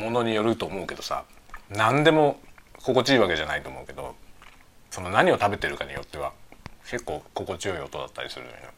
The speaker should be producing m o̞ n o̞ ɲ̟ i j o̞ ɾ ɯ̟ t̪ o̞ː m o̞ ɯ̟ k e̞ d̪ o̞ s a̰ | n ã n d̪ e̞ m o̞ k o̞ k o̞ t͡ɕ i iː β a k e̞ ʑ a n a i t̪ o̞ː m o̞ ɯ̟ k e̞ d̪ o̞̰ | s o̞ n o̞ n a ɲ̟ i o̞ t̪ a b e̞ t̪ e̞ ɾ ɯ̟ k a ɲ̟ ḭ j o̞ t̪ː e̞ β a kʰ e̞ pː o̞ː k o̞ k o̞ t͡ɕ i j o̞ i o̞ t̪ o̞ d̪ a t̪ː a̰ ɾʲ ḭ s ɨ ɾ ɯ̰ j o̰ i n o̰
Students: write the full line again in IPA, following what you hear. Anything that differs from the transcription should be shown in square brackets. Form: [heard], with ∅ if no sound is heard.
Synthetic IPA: m o̞ n o̞ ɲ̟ i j o̞ ɾ ɯ̟ t̪ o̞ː m o̞ ɯ̟ k e̞ d̪ o̞ s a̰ | n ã n d̪ e̞ m o̞ k o̞ k o̞ t͡ɕ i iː β a k e̞ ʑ a n a i t̪ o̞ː m o̞ ɯ̟ k e̞ d̪ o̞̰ | s o̞ n o̞ n a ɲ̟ i o̞ t̪ a b e̞ t̪ e̞ ɾ ɯ̟ k a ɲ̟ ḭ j o̞ t̪ː e̞ β a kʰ e̞ [kː] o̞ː k o̞ k o̞ t͡ɕ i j o̞ i o̞ t̪ o̞ d̪ a t̪ː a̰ ɾʲ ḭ s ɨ ɾ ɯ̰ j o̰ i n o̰